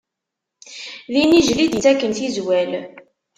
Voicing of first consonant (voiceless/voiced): voiced